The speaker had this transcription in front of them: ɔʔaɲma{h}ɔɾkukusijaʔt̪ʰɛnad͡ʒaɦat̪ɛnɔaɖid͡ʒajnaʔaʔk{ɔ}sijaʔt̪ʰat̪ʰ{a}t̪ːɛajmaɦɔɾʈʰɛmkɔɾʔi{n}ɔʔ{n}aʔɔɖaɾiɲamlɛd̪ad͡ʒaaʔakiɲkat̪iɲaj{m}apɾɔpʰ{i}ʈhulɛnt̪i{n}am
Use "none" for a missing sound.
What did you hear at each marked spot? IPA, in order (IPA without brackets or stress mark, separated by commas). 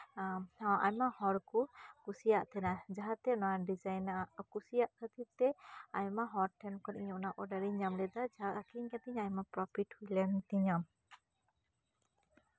h, u, i, ɲ, n, m, i, ɲ